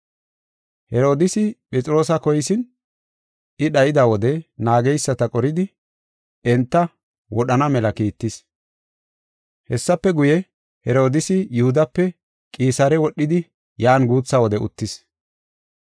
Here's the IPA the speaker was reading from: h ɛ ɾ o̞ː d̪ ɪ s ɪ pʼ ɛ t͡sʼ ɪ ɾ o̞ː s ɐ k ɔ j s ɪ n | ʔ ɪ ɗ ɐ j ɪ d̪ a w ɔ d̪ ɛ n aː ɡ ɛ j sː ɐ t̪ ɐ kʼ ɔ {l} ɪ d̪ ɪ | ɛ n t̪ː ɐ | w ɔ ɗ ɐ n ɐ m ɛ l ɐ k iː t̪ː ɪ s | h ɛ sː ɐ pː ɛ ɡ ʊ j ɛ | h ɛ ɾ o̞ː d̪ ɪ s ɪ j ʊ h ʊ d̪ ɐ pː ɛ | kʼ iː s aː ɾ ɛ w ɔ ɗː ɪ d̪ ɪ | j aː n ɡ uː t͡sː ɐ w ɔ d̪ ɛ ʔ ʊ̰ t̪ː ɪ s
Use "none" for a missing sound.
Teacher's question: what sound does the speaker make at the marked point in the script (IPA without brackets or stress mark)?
ɾ